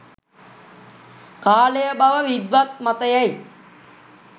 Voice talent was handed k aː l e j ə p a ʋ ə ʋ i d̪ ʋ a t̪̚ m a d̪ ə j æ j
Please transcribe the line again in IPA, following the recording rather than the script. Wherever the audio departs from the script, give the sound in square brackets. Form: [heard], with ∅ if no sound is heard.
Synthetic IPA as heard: k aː l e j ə [b] a ʋ ə ʋ i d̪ ʋ a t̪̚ m a [t̪] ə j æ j